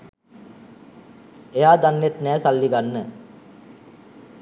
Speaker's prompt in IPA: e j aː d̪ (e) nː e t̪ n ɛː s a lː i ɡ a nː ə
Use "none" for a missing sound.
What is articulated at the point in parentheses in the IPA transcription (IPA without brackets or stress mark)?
a